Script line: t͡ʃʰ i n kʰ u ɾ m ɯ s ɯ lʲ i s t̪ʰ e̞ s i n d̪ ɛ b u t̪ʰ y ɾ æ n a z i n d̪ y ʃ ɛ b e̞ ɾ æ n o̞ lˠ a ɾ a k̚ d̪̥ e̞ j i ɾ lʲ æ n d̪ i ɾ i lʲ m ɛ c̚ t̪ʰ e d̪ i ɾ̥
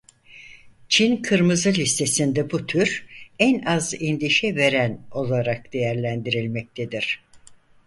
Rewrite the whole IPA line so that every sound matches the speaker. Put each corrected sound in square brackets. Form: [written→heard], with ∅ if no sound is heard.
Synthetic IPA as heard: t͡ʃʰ i n kʰ [u→ɯ] ɾ m ɯ [s→z] ɯ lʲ i s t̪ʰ e̞ s i n d̪ ɛ b u t̪ʰ y ɾ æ n a z i n d̪ [y→i] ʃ ɛ [b→v] e̞ ɾ æ n o̞ lˠ a ɾ a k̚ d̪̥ e̞ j [i→æ] ɾ lʲ æ n d̪ i ɾ i lʲ m ɛ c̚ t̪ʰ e d̪ i ɾ̥